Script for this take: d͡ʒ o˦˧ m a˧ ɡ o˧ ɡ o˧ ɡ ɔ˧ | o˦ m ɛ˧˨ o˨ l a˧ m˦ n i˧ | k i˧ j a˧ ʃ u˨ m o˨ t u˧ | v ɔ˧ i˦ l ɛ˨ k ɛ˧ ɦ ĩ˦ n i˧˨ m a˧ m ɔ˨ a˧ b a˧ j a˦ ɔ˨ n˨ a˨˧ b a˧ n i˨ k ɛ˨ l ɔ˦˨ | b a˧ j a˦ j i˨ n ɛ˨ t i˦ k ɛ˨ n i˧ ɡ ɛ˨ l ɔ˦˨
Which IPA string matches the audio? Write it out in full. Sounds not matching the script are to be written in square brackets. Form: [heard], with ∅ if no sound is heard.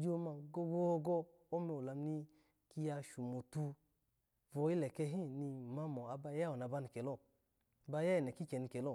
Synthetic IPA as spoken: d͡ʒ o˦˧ m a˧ ɡ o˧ ɡ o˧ ɡ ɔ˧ | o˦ m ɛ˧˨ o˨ l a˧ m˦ n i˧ | k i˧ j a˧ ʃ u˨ m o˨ t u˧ | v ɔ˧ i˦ l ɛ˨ k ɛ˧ ɦ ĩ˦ n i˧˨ m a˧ m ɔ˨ a˧ b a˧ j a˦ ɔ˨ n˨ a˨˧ b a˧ n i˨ k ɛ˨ l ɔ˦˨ | b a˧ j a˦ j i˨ n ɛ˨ [k] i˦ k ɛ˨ n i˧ [k] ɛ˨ l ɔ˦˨

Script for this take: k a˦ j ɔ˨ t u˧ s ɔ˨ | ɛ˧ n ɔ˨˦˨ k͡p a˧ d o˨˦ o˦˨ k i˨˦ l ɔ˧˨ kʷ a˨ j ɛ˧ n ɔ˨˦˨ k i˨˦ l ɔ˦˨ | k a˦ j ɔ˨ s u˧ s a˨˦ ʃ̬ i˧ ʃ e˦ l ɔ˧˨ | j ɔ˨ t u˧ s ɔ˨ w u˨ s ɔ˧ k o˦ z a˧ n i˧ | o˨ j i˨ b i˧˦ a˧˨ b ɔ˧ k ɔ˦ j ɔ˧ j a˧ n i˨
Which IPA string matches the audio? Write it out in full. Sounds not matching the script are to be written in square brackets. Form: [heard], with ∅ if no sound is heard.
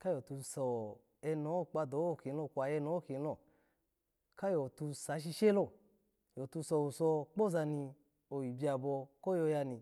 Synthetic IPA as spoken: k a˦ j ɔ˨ t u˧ s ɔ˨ | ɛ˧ n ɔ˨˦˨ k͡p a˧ d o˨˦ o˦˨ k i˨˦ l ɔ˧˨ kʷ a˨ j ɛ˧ n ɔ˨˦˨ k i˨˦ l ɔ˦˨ | k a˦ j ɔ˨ [t] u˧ s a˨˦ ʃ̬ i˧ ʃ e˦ l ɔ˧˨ | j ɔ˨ t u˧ s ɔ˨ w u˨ s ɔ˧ [k͡p] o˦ z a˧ n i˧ | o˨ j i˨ b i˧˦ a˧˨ b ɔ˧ k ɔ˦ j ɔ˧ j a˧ n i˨

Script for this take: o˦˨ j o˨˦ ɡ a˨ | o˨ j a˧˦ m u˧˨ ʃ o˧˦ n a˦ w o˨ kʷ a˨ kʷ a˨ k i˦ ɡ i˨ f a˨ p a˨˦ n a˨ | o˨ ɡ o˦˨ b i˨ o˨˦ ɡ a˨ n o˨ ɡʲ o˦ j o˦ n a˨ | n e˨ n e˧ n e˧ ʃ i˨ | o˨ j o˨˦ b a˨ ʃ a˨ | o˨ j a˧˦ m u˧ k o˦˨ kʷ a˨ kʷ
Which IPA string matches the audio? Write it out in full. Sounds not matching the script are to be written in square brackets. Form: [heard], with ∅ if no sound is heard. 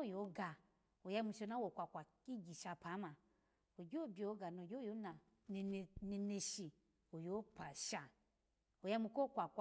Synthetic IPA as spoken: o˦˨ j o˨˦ ɡ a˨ | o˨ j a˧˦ m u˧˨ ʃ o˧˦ n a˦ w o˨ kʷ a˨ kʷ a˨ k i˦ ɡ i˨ [ʃ] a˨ p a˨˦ [m] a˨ | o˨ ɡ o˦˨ b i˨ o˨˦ ɡ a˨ n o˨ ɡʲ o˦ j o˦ n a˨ | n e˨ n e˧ n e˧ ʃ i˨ | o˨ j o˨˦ [p] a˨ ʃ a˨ | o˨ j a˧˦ m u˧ k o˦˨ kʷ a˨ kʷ

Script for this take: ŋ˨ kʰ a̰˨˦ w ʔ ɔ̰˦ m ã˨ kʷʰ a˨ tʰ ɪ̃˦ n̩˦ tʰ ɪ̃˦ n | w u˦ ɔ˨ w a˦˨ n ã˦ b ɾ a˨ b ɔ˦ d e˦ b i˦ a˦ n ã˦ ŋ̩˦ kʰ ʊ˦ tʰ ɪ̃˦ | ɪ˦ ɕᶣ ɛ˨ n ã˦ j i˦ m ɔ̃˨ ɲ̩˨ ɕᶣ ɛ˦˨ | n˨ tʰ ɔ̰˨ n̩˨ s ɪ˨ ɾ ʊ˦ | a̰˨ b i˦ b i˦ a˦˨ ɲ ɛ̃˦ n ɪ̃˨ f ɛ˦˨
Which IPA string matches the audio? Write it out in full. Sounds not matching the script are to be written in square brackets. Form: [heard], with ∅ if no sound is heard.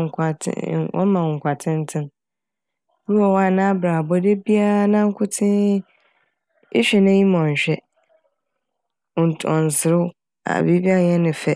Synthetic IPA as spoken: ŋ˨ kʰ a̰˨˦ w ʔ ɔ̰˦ m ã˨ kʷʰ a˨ tʰ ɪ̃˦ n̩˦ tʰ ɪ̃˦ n | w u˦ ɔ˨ w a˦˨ n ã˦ b ɾ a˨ b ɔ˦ d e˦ b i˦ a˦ n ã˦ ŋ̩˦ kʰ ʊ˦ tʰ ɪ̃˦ | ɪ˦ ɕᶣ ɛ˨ n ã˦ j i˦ m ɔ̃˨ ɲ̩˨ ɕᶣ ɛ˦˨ | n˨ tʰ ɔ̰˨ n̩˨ s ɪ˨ ɾ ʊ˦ | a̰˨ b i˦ b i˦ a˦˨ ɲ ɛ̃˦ n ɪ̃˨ f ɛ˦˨

